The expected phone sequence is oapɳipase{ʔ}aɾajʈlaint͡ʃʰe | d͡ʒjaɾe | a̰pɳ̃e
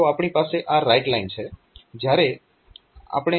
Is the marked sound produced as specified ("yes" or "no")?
yes